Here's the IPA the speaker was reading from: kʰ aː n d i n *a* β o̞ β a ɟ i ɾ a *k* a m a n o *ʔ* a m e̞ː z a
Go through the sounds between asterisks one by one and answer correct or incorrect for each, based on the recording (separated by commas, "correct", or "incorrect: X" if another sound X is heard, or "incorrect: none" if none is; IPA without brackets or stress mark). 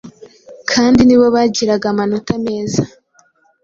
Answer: incorrect: i, incorrect: ɡ, incorrect: t